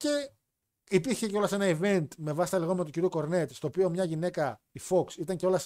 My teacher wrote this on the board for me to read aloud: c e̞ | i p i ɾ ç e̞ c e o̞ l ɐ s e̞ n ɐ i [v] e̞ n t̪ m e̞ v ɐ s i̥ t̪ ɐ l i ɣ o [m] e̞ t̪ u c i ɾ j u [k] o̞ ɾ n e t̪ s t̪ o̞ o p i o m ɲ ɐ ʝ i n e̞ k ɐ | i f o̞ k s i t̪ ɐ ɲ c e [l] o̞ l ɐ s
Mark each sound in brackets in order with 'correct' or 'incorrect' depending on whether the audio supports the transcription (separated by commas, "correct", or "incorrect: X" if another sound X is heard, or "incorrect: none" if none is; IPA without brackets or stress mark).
correct, correct, correct, incorrect: none